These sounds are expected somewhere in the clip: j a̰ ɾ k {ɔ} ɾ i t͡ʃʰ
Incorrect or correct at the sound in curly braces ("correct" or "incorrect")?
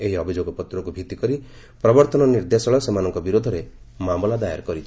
correct